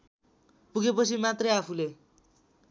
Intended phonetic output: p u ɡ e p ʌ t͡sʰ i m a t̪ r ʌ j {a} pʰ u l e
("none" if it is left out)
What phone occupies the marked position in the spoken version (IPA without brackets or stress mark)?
a